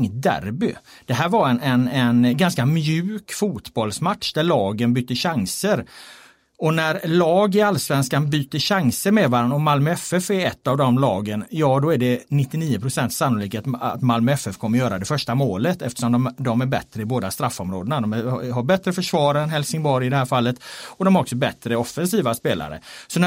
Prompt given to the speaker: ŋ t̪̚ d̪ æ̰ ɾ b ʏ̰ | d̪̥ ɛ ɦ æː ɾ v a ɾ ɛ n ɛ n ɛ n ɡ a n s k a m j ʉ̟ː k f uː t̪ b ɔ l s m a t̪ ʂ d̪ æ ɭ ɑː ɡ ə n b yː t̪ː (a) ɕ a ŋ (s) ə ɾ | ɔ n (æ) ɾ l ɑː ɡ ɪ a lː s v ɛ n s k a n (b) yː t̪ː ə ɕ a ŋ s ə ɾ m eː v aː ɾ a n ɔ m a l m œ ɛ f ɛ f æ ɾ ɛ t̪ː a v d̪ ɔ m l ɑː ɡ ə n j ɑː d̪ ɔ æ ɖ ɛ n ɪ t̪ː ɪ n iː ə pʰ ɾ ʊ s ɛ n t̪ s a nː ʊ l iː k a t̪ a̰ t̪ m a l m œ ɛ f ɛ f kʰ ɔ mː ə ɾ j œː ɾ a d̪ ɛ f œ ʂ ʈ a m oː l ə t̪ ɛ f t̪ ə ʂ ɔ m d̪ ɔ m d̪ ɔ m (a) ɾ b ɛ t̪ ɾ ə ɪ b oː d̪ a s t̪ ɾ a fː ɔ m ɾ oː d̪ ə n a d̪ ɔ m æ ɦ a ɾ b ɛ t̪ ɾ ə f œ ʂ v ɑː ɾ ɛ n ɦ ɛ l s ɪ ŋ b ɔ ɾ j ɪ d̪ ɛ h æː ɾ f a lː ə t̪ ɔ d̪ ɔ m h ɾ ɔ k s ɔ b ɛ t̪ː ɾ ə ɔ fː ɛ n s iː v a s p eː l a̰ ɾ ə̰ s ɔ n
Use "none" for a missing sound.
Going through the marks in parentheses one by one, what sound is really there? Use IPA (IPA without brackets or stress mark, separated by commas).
ə, s, æ, b, æ